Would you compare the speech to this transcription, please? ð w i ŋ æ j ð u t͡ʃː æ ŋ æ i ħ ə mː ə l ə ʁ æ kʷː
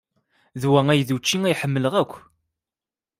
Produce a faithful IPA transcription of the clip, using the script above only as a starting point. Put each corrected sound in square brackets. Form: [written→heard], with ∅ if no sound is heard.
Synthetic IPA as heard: ð w [i→æ] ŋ æ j ð u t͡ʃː [æ→i] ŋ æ [i→j] ħ ə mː ə l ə ʁ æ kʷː